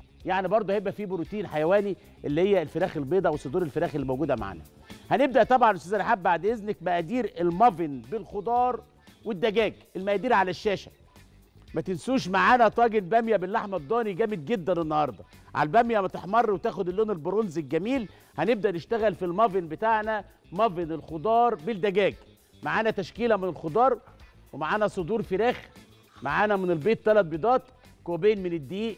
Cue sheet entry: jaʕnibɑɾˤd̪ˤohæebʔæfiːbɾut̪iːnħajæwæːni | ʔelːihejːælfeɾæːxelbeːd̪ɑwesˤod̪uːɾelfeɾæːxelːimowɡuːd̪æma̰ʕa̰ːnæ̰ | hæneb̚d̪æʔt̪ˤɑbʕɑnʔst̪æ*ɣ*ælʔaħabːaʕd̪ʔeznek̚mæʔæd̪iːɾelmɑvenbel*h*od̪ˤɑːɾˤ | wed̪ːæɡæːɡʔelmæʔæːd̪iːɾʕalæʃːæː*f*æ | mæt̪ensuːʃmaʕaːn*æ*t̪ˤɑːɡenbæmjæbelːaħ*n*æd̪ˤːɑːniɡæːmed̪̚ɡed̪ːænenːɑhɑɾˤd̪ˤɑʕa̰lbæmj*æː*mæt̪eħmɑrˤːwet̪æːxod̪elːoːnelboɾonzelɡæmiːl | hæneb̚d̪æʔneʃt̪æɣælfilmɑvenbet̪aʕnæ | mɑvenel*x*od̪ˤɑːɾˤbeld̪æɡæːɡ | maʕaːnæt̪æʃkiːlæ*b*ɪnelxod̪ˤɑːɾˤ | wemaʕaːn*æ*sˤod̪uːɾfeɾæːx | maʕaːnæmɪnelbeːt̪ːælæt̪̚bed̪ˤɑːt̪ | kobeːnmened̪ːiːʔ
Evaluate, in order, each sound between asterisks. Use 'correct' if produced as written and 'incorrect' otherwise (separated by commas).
incorrect, incorrect, incorrect, correct, incorrect, incorrect, correct, incorrect, correct